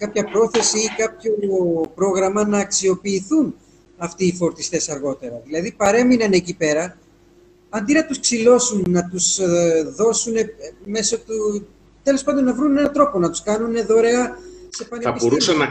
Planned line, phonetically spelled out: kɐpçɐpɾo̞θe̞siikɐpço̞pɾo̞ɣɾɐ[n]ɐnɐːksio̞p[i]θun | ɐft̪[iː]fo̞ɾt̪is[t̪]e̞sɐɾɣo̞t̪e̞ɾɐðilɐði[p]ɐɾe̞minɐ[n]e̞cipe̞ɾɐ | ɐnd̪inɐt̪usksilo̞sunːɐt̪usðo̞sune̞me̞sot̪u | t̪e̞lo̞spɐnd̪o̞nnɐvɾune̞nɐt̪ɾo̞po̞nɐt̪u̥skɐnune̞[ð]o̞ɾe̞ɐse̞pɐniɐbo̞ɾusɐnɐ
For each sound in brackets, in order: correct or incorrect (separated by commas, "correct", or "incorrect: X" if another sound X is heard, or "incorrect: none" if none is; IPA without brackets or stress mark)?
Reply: incorrect: m, incorrect: iː, correct, correct, correct, correct, correct